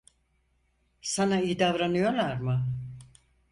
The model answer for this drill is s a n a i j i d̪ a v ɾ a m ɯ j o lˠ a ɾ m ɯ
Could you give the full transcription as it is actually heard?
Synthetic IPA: s a n a i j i d̪ a v ɾ a n ɯ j o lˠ a ɾ m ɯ